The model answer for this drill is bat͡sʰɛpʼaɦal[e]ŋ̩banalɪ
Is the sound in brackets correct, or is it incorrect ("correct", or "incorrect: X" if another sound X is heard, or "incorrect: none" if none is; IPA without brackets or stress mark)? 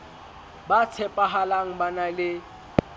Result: incorrect: a